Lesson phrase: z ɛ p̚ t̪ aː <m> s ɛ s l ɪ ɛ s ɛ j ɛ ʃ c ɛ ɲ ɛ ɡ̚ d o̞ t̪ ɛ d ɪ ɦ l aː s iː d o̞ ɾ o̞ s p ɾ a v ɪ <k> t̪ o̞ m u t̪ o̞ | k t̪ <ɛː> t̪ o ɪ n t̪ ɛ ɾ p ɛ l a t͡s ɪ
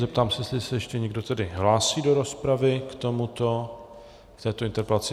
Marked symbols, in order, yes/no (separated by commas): yes, yes, yes